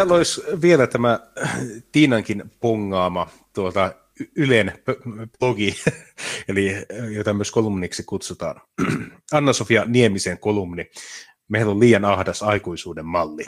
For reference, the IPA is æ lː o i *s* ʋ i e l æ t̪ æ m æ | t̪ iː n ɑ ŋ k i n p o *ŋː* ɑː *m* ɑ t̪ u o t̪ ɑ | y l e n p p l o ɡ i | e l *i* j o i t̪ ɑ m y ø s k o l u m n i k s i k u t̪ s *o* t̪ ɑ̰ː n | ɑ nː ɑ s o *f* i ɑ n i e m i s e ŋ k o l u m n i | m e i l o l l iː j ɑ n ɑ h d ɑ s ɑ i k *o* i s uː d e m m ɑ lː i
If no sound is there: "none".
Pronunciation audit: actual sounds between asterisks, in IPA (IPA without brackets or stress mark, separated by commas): s, ŋː, m, i, u, f, u